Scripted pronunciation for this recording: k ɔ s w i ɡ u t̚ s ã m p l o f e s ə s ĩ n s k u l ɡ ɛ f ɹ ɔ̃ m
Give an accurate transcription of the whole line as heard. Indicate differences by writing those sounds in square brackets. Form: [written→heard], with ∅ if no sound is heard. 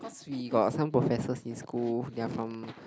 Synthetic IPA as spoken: k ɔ s w i ɡ [u→ɔ] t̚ s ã m p [l→ɹ] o f [e→ɛ] s ə s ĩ n s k u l [ɡ→d] ɛ f ɹ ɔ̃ m